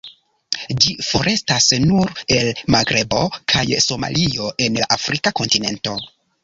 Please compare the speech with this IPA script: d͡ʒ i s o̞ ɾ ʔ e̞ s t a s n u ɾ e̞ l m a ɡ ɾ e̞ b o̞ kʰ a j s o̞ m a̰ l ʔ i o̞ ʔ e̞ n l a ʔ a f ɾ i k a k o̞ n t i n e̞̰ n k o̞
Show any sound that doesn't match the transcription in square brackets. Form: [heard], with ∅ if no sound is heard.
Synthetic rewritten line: d͡ʒ i [f] o̞ ɾ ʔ e̞ s t a s n u ɾ e̞ l m a ɡ ɾ e̞ b o̞ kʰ a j s o̞ m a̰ l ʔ i o̞ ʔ e̞ n l a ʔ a f ɾ i k a k o̞ n t i n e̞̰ n [t] o̞